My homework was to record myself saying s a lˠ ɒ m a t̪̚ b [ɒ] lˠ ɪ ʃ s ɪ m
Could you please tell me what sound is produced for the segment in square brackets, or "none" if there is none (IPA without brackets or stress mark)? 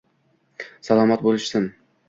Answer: o